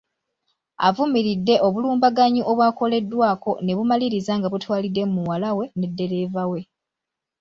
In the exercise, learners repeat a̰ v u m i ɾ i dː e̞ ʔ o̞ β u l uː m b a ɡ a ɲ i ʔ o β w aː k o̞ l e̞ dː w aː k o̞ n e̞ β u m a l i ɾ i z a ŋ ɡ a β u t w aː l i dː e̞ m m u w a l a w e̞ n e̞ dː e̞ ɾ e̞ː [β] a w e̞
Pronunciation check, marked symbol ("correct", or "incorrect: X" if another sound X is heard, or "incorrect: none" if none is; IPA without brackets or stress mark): incorrect: v